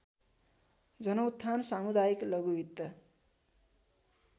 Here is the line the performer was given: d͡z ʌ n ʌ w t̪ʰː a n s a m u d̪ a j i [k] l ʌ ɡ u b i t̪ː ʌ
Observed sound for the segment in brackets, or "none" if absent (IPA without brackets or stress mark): k